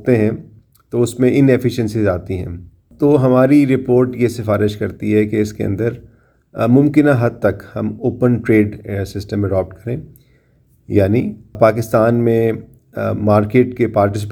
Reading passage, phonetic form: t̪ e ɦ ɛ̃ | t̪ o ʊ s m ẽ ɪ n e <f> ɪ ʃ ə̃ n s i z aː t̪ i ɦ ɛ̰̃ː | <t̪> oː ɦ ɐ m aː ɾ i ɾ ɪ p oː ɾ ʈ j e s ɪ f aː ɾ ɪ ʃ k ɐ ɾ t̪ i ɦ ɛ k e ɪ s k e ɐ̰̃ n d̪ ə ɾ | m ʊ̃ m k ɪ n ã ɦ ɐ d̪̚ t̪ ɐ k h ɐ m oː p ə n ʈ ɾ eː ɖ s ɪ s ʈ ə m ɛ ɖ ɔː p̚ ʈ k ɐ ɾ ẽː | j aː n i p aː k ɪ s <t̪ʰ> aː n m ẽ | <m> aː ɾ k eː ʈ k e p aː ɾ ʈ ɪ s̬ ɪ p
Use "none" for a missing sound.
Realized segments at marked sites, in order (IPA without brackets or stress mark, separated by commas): f, t̪, t̪, m